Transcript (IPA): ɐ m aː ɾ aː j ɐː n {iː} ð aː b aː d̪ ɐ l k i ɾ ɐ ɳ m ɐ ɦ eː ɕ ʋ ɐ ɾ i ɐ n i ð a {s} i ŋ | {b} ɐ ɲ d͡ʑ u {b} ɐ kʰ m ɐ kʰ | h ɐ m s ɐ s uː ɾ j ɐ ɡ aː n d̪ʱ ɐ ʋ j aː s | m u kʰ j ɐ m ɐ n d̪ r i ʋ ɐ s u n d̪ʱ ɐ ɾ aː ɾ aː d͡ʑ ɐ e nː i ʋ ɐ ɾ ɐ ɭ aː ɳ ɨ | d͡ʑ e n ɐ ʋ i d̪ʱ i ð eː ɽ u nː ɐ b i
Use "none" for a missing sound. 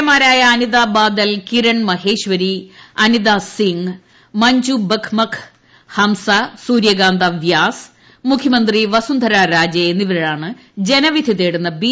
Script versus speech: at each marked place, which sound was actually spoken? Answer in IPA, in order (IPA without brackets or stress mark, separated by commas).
i, s, m, b